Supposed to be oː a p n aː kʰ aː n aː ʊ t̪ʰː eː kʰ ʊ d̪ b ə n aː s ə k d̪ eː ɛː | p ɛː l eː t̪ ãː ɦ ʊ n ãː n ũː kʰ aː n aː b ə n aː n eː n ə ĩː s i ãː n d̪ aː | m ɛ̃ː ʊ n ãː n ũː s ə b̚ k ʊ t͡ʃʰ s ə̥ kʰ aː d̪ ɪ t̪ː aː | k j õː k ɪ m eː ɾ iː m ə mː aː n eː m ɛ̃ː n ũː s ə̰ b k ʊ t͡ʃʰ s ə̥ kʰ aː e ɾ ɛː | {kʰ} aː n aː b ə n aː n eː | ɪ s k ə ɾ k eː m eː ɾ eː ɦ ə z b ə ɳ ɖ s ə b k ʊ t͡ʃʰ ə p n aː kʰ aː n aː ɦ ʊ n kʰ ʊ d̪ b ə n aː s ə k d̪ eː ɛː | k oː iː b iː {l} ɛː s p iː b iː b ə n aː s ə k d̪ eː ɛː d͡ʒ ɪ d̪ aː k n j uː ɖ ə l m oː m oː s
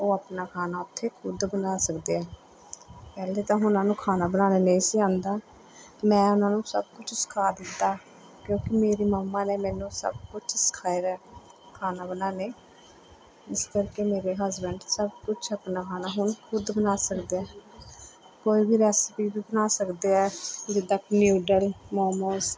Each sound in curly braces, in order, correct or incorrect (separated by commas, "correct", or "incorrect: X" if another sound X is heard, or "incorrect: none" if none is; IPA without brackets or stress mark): correct, incorrect: ɾ